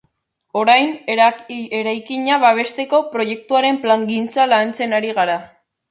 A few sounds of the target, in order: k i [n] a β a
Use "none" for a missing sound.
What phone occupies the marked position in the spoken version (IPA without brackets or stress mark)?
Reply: ɲ